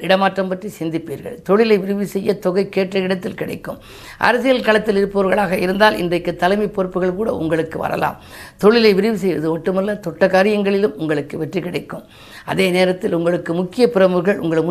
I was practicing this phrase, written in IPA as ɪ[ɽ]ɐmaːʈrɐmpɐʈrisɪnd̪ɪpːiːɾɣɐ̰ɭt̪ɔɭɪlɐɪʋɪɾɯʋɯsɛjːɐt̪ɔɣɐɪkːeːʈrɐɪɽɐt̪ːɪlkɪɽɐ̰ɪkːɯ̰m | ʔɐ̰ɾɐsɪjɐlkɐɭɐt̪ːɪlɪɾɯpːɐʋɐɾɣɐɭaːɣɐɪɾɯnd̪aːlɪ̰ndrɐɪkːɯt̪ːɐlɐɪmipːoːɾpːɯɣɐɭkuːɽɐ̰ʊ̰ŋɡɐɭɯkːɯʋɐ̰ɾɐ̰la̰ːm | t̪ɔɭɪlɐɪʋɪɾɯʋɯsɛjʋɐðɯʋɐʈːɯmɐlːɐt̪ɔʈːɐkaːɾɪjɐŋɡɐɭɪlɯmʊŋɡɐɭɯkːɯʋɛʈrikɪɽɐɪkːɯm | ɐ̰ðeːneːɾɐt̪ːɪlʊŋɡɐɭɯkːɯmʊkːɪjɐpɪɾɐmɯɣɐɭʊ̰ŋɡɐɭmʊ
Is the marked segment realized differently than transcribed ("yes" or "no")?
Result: no